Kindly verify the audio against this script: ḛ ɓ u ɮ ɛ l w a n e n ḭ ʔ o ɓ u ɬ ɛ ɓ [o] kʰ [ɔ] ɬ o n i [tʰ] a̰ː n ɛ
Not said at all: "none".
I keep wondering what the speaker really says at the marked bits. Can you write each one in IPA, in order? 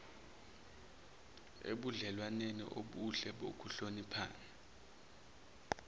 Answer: o, u, pʰ

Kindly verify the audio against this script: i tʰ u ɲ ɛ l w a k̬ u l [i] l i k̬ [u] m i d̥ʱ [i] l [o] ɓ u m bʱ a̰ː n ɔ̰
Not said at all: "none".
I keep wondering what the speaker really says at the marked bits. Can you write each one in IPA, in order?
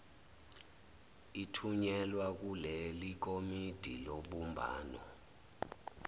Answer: e, o, i, o

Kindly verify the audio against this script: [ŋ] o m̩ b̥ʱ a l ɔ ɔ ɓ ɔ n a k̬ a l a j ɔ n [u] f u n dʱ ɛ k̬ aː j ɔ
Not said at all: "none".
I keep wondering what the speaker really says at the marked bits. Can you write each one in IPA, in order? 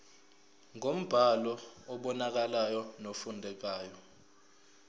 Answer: ŋ, o

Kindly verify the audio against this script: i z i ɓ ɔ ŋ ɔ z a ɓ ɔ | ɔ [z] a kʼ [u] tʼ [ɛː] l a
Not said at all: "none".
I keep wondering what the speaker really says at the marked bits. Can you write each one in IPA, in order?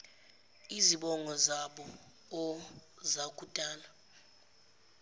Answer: z, u, aː

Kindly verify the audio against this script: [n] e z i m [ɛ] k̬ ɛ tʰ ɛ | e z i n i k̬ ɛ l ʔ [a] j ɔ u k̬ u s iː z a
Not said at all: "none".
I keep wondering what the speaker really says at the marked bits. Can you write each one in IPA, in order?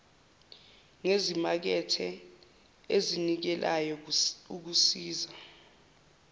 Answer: ŋ, a, a

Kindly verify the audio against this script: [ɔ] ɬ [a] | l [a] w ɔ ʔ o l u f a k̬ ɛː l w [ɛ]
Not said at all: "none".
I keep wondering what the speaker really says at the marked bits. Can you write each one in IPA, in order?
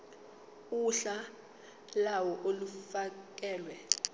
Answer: u, a, a, ɛ

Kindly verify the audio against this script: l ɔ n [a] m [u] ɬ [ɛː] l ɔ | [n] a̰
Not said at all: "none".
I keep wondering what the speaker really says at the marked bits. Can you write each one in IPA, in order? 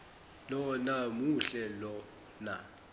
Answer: a, u, ɛ, n

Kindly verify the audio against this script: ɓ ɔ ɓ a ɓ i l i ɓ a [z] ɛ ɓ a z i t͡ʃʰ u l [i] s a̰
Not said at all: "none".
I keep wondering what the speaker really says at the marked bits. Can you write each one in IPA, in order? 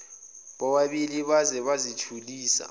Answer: z, iː

